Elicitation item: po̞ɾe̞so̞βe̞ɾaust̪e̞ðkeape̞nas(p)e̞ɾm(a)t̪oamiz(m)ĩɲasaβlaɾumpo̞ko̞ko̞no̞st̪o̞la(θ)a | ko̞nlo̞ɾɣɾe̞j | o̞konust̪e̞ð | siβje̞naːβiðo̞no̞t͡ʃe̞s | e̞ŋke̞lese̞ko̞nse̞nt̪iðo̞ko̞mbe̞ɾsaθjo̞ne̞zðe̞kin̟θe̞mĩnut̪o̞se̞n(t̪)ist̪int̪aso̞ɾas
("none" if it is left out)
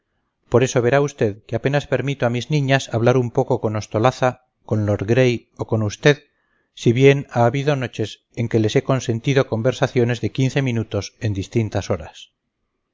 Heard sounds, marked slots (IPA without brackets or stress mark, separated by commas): p, i, n, θ, d̪